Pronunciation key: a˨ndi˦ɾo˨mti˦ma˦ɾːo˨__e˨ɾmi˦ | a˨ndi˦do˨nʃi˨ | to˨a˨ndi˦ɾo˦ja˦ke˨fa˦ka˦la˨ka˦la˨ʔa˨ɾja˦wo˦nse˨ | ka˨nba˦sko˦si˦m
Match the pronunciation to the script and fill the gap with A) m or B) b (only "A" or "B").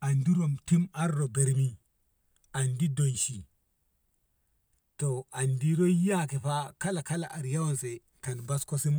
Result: B